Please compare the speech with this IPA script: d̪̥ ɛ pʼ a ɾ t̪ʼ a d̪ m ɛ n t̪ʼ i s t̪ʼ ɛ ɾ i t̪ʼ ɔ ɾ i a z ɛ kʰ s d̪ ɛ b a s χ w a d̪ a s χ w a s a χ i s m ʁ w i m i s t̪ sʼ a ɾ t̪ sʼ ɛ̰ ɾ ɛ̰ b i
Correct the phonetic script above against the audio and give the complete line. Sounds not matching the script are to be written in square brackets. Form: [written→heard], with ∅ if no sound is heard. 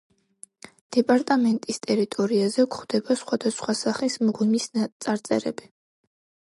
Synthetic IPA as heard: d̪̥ ɛ pʼ a ɾ t̪ʼ a [d̪→∅] m ɛ n t̪ʼ i s t̪ʼ ɛ ɾ i t̪ʼ ɔ ɾ i a z ɛ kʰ [s→χ] d̪ ɛ b a s χ w a d̪ a s χ w a s a χ i s m ʁ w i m i s t̪ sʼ a ɾ t̪ sʼ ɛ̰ ɾ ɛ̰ b i